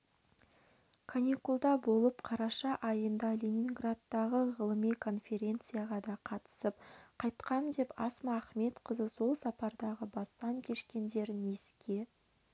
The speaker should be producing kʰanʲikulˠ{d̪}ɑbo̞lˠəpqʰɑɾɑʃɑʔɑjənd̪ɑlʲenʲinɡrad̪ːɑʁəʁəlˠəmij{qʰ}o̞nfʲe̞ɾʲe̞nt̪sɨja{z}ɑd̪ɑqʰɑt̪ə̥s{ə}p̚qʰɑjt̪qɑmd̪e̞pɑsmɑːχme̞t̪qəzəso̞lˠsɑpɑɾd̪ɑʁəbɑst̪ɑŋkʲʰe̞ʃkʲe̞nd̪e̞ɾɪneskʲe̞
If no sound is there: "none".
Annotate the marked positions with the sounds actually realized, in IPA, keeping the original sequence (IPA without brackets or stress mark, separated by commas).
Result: d̪, kʰ, ʁ, ə